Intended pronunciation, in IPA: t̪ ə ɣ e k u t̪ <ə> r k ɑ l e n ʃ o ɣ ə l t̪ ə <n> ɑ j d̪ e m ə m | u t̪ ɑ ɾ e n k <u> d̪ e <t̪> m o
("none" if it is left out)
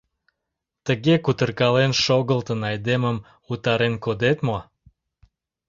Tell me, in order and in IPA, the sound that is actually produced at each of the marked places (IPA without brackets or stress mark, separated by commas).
ə, n, o, t̪